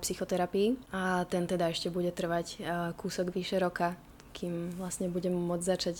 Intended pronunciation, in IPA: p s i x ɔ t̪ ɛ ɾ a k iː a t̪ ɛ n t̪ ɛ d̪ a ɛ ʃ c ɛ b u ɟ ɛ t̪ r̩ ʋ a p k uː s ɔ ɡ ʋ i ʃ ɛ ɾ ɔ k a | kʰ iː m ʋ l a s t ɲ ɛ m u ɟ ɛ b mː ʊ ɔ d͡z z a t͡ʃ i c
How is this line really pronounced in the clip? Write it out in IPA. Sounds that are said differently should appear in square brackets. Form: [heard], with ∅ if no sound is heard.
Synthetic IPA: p s i x ɔ t̪ ɛ ɾ a [p] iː a t̪ ɛ n t̪ ɛ d̪ a ɛ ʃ c ɛ b u ɟ ɛ t̪ r̩ ʋ a [c] k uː s ɔ ɡ ʋ i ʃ ɛ ɾ ɔ k a | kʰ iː m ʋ l a s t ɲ ɛ [b] u ɟ ɛ [m] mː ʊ ɔ d͡z z a t͡ʃ [a] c